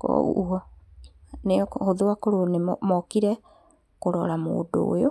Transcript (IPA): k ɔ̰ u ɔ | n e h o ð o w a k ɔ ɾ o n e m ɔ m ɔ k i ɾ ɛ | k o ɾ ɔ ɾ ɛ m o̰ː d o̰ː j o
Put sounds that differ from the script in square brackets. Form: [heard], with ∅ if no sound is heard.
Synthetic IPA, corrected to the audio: k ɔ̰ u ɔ | n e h o ð o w a k [o] ɾ o n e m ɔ m ɔ k i ɾ ɛ | k o ɾ ɔ ɾ [a] m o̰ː d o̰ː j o